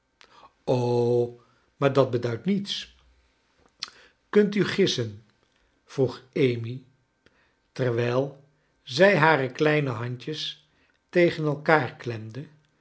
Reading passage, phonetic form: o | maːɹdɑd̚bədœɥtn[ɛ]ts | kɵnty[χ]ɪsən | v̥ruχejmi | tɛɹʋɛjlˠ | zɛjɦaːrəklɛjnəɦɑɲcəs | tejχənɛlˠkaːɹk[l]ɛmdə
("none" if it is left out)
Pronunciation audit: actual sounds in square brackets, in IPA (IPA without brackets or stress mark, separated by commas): i, χ, l